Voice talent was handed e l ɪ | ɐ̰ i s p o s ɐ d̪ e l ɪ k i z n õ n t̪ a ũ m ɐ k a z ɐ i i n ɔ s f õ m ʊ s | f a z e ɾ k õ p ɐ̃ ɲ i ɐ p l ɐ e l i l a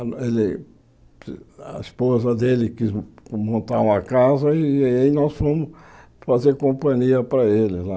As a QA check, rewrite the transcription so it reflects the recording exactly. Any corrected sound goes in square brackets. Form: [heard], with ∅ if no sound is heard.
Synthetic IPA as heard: e l ɪ | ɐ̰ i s p o [z] ɐ d̪ e l ɪ k i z [m] õ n t̪ a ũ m ɐ k a z ɐ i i n ɔ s f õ m ʊ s | f a z e ɾ k õ p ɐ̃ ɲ i ɐ p [ɾ] ɐ e l [ɪ] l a

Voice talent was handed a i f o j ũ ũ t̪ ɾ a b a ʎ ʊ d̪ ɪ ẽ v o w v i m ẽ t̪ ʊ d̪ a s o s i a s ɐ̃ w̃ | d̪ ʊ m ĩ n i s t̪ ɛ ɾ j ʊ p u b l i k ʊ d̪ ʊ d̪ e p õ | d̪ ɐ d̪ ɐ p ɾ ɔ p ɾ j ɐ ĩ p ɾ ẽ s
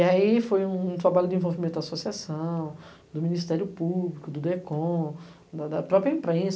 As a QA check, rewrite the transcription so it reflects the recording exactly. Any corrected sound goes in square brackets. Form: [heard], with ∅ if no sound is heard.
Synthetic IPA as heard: a i f o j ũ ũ t̪ ɾ a b a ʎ ʊ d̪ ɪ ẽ v o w v i m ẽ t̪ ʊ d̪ a s o s i a s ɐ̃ w̃ | d̪ ʊ m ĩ n i s t̪ ɛ ɾ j ʊ p u b l i k ʊ d̪ ʊ d̪ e [k] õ | d̪ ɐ d̪ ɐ p ɾ ɔ p ɾ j ɐ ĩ p ɾ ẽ s

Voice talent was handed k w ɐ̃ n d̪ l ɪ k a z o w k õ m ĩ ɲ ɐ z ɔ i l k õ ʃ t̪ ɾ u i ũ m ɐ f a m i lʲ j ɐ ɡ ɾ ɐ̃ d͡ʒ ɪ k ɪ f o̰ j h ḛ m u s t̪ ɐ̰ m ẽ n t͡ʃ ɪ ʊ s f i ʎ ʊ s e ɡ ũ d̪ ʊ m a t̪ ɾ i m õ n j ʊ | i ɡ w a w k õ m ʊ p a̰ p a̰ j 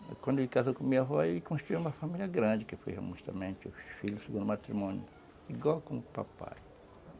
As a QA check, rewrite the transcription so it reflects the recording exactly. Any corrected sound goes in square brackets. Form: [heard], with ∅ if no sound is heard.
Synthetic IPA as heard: k w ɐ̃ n d̪ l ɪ k a z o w k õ m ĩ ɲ ɐ [v] ɔ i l k õ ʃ t̪ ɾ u i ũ m ɐ f a m i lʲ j ɐ ɡ ɾ ɐ̃ d͡ʒ ɪ k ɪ f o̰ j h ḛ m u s t̪ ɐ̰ m ẽ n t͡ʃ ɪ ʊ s f i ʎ ʊ s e ɡ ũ d̪ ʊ m a t̪ ɾ i m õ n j ʊ | i ɡ w a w k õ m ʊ p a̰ p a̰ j

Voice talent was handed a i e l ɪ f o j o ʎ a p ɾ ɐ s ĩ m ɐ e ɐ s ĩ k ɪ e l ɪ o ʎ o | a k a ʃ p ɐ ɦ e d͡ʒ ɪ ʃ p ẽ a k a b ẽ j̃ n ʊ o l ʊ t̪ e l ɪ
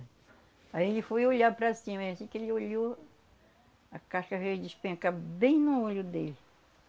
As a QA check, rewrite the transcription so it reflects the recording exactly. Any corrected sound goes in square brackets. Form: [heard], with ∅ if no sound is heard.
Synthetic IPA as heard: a i e l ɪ f o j o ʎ a p ɾ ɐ s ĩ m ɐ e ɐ s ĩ k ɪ e l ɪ o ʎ o | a k a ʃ [k] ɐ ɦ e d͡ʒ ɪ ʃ p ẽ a k a b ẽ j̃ n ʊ o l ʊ [d̪] e l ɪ

